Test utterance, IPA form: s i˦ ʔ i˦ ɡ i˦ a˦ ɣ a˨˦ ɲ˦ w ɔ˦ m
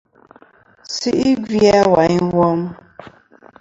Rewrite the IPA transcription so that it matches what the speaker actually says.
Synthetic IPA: s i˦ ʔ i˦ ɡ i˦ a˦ w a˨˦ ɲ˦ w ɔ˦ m